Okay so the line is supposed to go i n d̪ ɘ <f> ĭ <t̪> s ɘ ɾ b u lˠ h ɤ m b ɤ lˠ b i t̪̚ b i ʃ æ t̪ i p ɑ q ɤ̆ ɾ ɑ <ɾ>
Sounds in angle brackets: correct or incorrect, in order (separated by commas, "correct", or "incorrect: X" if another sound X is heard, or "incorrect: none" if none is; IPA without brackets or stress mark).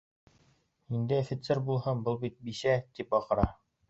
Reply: correct, correct, incorrect: none